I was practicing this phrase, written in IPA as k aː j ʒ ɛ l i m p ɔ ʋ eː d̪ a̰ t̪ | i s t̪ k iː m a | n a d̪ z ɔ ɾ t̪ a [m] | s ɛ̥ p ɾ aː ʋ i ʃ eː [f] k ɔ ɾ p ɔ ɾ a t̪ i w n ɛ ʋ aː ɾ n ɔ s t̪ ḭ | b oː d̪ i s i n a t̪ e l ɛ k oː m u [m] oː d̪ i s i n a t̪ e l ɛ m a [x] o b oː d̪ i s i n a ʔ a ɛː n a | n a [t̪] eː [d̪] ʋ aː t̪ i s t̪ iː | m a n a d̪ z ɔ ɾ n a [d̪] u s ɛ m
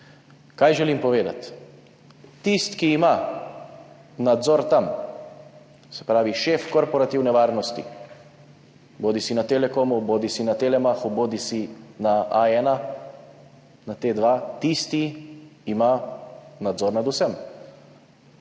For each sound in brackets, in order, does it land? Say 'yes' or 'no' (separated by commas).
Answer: yes, yes, no, yes, yes, yes, yes